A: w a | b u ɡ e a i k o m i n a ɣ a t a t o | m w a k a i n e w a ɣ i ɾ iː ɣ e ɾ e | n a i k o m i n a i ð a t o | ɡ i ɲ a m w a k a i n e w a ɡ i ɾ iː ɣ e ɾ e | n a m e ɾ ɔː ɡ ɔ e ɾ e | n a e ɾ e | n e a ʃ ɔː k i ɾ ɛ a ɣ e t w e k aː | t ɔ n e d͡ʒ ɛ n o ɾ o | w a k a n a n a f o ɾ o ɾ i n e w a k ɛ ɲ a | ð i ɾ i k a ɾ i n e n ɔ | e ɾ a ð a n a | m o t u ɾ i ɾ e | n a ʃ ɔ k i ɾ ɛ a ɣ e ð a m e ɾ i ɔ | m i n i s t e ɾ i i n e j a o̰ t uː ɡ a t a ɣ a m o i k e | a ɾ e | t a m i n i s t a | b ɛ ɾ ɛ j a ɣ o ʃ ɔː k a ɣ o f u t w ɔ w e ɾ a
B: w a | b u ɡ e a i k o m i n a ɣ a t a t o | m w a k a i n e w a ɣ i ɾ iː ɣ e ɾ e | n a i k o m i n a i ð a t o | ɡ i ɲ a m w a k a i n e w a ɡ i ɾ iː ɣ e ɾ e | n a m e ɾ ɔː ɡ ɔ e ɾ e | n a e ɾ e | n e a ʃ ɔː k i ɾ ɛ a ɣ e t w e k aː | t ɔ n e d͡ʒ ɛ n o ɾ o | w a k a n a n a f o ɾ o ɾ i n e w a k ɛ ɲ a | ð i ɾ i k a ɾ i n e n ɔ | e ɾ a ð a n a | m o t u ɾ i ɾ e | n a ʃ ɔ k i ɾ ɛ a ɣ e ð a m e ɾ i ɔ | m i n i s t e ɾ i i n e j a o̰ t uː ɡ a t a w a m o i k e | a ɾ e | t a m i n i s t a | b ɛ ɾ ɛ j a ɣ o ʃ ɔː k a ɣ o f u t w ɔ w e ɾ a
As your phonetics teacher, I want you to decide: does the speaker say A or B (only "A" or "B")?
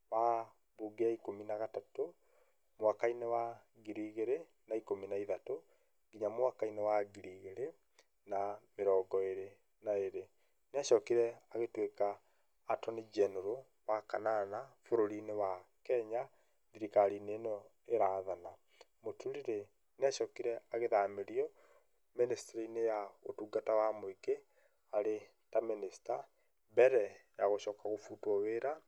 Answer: B